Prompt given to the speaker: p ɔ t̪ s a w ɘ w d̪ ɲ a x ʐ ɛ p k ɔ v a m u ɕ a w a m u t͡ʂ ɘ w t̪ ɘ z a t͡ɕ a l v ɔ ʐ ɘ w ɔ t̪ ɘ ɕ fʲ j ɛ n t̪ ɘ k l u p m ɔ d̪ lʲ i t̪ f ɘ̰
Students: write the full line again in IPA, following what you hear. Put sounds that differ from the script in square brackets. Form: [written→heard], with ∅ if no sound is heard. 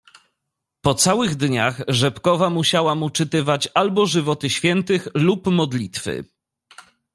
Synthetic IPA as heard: p ɔ t̪ s a w ɘ [w→ɣ] d̪ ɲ a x ʐ ɛ p k ɔ v a m u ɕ a w a m u t͡ʂ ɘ [w→∅] t̪ ɘ [z→v] a t͡ɕ a l [v→b] ɔ ʐ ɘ [w→v] ɔ t̪ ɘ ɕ fʲ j ɛ n t̪ ɘ [k→x] l u p m ɔ d̪ lʲ i t̪ f ɘ̰